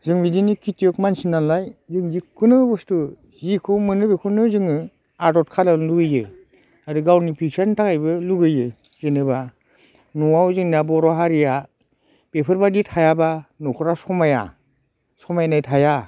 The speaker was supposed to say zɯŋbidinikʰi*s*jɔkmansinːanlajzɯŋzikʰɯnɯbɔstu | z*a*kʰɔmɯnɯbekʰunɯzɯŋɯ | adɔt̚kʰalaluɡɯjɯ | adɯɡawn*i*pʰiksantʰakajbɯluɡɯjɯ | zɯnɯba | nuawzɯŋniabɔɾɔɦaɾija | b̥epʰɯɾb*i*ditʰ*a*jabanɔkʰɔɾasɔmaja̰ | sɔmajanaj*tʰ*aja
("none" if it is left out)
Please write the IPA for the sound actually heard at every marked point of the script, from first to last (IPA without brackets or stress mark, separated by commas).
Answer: t, i, i, a, a, tʰ